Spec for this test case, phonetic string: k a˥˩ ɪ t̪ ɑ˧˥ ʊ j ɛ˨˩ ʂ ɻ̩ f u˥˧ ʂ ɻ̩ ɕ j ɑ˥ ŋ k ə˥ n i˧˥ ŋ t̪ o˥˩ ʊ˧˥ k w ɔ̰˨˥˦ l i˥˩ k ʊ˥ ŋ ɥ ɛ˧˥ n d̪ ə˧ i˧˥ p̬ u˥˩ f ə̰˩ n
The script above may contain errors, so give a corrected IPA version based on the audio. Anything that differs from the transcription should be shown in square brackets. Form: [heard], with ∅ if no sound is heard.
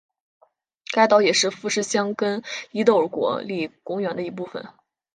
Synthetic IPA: k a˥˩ ɪ t̪ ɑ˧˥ ʊ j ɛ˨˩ ʂ ɻ̩ f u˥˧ ʂ ɻ̩ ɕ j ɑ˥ ŋ k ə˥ n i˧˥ [∅] t̪ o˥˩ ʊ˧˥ k w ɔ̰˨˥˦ l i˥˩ k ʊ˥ ŋ ɥ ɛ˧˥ n d̪ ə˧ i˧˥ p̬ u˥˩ f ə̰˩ n